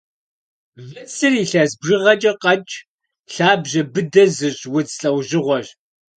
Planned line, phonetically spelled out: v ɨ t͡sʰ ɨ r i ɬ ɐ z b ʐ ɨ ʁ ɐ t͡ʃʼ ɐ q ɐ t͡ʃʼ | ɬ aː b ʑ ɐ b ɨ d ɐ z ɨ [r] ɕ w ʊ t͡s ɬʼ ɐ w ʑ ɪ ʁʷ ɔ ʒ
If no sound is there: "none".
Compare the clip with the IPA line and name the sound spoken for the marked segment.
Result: none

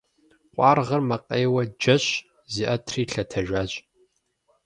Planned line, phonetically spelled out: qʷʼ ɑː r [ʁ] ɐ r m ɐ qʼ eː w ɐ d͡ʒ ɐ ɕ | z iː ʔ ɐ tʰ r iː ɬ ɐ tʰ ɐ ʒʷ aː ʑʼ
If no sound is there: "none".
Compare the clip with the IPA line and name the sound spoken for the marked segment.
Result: ʁ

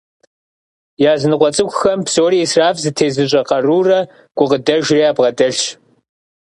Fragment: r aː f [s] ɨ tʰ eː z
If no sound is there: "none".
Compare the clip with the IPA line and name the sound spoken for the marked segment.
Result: z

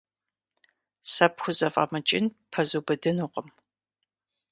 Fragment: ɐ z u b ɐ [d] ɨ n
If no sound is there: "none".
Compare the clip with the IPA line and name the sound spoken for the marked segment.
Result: d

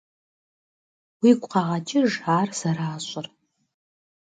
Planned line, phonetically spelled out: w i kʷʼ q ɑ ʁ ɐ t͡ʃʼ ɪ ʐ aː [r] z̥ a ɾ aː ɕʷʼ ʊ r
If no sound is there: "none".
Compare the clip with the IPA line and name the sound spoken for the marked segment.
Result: r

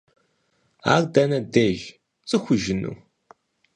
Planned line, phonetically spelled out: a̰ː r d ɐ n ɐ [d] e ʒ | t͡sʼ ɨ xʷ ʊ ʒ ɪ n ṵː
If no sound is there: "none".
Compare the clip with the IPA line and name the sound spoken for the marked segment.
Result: d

